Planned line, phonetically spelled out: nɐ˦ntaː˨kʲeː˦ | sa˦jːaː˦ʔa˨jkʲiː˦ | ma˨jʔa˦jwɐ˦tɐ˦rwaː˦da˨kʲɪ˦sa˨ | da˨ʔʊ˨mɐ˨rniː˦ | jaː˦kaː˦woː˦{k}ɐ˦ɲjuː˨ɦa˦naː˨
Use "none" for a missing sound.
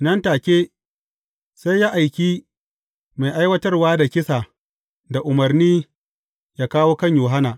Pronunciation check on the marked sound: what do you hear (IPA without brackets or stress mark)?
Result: k